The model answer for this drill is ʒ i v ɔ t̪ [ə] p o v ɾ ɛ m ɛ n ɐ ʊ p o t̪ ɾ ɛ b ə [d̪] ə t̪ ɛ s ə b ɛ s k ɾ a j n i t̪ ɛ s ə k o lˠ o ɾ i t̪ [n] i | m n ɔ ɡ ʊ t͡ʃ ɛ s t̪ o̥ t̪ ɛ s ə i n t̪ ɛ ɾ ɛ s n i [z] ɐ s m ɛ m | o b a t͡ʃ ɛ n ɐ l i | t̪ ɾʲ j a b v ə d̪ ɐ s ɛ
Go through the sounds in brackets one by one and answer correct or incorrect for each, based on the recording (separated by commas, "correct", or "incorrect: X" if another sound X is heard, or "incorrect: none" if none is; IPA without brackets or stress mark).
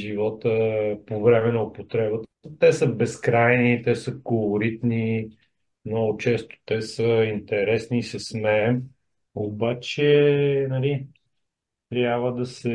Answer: correct, incorrect: t̪, correct, incorrect: s